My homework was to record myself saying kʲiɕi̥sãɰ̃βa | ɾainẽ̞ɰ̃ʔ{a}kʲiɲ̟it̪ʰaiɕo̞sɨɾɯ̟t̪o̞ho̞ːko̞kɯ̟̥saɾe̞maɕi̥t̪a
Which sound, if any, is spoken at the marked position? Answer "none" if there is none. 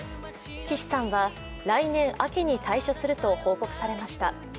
a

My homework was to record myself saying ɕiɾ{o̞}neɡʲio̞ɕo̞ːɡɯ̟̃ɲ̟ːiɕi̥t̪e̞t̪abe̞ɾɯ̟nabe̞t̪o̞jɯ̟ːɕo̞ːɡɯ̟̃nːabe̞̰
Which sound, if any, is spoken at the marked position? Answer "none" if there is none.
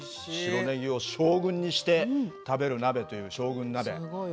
o̞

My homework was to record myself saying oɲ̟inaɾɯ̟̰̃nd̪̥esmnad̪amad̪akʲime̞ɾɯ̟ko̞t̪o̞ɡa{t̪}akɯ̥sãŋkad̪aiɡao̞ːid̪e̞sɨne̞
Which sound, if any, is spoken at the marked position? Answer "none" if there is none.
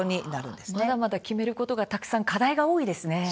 t̪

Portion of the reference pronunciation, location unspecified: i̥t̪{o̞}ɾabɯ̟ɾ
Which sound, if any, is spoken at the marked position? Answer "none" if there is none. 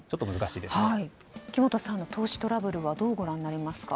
o̞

